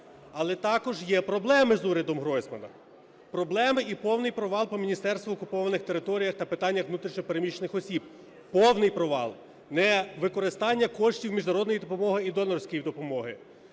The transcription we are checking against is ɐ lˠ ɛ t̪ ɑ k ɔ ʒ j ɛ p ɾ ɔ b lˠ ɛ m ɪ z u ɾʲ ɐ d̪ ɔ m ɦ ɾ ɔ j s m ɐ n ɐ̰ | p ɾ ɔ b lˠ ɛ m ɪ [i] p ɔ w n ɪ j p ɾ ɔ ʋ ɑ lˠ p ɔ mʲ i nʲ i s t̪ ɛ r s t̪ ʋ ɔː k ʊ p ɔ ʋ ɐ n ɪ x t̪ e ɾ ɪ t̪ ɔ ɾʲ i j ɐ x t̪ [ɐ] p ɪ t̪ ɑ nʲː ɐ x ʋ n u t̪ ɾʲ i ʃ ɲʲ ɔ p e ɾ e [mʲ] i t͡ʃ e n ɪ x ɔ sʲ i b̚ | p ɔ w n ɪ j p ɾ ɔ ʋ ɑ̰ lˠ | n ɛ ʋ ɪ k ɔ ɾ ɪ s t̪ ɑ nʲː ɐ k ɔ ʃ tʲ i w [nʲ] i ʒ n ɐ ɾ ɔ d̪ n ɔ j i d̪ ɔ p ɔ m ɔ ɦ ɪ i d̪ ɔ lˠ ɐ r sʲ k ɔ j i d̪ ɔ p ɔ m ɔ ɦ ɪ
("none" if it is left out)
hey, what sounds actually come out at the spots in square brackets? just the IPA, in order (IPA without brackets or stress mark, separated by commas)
i, ɐ, mʲ, mʲ